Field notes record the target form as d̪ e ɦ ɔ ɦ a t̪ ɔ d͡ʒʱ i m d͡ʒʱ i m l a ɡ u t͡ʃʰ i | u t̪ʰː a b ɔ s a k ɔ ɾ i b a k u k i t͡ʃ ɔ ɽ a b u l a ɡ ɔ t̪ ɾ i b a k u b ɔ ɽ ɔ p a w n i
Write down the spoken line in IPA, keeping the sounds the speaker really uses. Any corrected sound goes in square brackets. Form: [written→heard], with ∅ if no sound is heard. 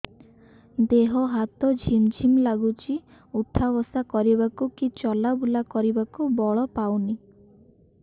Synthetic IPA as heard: d̪ e ɦ ɔ ɦ a t̪ ɔ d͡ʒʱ i m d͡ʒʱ i m l a ɡ u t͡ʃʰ i | u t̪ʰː a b ɔ s a k ɔ ɾ i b a k u k i t͡ʃ ɔ [ɽ→l] a b u l a [ɡ→k] ɔ [t̪→∅] ɾ i b a k u b ɔ [ɽ→ɭ] ɔ p a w n i